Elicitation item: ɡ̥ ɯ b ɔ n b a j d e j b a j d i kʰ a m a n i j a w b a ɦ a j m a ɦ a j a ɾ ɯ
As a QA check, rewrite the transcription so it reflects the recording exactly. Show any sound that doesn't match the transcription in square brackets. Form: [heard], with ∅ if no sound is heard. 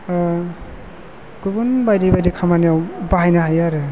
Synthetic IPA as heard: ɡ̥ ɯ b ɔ n b a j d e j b a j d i kʰ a m a n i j a w b a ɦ a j [n] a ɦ a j a ɾ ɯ